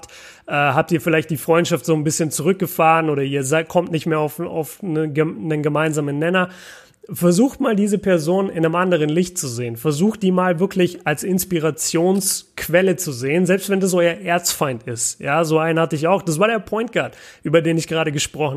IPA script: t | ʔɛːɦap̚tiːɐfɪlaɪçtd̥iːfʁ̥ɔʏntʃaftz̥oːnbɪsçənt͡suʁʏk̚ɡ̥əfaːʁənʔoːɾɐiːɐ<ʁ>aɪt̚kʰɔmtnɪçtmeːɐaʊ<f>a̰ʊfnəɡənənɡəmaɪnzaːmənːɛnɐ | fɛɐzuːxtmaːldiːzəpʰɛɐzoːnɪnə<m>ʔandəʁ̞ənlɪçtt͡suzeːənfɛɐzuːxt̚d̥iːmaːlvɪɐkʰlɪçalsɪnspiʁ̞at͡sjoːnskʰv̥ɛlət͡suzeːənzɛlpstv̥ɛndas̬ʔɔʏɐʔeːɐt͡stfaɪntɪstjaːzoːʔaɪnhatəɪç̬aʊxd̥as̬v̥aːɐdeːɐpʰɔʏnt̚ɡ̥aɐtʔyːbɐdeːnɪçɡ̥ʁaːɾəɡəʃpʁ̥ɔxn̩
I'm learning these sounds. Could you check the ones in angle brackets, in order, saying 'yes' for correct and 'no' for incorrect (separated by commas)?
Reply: no, yes, yes